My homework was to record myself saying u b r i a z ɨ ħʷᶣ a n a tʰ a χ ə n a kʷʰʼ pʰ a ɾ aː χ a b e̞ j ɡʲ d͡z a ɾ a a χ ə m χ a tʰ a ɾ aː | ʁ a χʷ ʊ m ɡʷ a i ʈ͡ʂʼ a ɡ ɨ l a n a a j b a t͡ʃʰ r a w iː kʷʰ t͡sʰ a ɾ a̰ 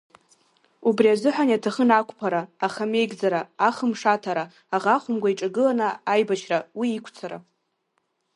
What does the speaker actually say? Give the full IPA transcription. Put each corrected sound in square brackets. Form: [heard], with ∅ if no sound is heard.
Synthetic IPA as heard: u b r i a z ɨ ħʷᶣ a n a tʰ a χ ə n a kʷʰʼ pʰ a ɾ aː χ a [m] e̞ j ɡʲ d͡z a ɾ a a χ ə m [ʂ] a tʰ a ɾ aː | ʁ a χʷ ʊ m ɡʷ a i ʈ͡ʂʼ a ɡ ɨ l a n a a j b a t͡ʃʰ r a w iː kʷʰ t͡sʰ a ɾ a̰